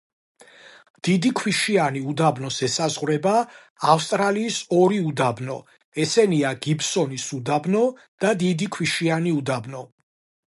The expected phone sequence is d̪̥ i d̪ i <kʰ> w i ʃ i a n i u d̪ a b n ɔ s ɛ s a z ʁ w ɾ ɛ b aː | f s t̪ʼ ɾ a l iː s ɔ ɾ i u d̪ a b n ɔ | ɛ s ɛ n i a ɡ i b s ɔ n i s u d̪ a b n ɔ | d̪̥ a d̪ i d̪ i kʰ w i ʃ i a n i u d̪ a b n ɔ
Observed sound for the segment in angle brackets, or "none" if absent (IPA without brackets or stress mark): kʰ